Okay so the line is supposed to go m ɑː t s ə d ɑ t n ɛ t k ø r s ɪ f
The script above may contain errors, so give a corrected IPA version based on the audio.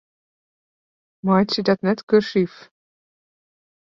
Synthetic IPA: m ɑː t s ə d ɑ t n ɛ t k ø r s i f